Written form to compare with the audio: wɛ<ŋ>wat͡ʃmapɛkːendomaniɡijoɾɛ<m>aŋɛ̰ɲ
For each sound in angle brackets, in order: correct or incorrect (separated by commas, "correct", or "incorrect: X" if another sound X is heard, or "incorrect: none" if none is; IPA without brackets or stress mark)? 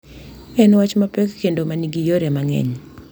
incorrect: n, correct